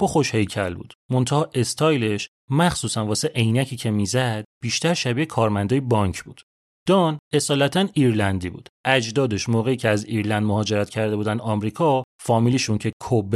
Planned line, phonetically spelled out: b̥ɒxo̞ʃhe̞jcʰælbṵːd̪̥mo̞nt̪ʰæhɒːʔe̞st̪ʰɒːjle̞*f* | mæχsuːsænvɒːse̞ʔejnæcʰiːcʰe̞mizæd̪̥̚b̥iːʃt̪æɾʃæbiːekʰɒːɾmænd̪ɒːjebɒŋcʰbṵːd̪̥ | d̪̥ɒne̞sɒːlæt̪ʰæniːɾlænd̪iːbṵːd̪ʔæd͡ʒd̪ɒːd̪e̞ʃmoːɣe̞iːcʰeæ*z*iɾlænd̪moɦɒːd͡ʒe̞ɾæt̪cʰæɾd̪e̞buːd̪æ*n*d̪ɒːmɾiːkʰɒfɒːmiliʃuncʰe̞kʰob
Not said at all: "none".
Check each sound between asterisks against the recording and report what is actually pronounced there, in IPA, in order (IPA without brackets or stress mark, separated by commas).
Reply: ʃ, z, n